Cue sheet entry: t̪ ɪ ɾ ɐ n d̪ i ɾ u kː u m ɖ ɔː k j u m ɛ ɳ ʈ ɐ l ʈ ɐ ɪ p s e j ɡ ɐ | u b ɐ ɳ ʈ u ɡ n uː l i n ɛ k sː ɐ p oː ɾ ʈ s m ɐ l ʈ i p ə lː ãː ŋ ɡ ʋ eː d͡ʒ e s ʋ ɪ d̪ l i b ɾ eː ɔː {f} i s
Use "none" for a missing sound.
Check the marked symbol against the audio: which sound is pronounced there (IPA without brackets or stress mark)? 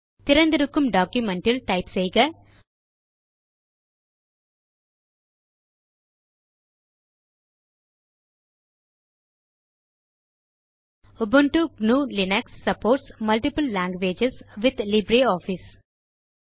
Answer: f